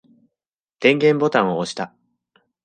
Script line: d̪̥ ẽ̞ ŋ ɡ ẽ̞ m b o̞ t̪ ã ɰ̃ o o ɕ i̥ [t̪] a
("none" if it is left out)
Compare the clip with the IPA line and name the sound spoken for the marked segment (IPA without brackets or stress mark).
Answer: t̪